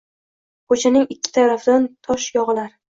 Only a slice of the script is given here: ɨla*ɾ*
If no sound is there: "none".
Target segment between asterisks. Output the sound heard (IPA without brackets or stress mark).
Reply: ɾ